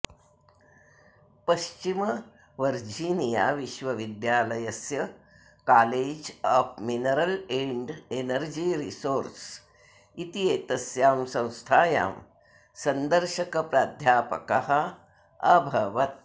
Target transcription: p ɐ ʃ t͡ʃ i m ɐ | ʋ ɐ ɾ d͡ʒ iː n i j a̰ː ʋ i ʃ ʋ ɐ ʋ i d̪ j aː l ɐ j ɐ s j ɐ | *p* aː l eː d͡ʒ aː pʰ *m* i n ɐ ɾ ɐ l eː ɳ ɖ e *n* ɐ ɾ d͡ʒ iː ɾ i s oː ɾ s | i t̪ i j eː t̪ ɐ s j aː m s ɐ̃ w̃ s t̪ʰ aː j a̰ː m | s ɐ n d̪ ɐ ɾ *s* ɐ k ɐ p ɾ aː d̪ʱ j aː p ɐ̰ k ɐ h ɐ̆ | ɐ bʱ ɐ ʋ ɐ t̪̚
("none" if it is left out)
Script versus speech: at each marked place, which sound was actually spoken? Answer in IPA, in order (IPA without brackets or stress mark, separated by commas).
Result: k, m, n, ʃ